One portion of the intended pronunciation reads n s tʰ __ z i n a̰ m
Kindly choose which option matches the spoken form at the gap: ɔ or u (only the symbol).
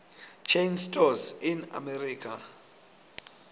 ɔ